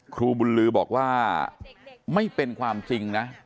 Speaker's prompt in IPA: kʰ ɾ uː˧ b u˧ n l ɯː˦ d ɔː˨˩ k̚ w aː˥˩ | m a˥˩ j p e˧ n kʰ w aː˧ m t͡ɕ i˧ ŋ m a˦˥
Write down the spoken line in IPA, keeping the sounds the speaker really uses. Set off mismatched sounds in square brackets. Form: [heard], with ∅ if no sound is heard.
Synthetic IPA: kʰ ɾ uː˧ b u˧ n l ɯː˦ [b] ɔː˨˩ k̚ w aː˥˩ | m a˥˩ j p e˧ n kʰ w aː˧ m t͡ɕ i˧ ŋ [n] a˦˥